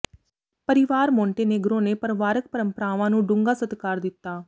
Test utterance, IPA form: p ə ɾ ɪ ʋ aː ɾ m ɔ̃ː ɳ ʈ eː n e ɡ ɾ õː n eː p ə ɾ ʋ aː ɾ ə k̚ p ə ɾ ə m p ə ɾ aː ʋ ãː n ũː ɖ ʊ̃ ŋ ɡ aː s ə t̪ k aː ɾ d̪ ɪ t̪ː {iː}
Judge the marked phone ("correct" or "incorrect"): incorrect